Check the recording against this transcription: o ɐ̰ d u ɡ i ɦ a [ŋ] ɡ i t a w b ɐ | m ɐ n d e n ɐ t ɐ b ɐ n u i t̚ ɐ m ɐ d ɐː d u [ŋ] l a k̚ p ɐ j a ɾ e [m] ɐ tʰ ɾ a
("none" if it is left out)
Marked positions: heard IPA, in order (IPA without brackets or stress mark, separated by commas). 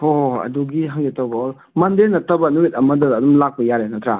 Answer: ŋ, m, n